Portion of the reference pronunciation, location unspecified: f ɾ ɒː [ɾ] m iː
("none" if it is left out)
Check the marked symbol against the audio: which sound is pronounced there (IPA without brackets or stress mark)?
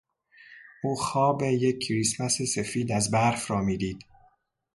none